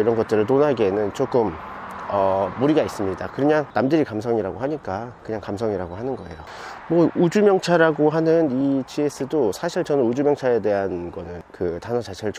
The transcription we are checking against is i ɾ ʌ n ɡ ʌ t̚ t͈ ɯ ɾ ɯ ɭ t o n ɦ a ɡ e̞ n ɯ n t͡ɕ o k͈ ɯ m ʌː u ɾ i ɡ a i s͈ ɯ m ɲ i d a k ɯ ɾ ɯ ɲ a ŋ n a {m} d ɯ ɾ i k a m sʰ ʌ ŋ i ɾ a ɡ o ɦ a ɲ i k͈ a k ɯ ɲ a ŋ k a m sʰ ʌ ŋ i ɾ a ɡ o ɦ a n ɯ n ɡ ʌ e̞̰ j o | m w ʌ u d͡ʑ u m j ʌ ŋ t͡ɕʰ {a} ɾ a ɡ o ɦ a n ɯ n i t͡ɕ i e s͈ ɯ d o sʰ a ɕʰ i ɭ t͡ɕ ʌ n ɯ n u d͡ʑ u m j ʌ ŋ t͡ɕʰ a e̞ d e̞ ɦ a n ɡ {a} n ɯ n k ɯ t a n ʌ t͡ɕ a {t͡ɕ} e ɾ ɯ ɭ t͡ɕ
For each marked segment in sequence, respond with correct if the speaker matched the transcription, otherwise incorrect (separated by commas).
correct, correct, incorrect, incorrect